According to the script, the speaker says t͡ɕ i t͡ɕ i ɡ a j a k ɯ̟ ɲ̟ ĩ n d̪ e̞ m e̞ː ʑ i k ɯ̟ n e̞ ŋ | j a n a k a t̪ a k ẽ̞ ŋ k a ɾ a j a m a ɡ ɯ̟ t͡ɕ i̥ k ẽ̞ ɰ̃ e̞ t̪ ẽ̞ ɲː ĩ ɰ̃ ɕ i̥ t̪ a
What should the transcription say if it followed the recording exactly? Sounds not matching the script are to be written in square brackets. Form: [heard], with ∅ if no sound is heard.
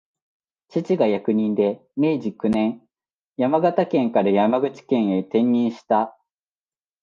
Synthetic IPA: t͡ɕ i t͡ɕ i ɡ a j a k ɯ̟ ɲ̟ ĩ n d̪ e̞ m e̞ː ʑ i k ɯ̟ n [ẽ̞] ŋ | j a [m] a [ɡ] a t̪ a k ẽ̞ ŋ k a ɾ a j a m a ɡ ɯ̟ t͡ɕ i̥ k ẽ̞ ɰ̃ e̞ t̪ ẽ̞ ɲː ĩ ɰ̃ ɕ i̥ t̪ a